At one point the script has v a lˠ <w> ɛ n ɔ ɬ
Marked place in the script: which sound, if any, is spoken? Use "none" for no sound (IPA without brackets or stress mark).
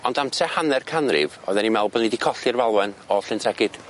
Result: w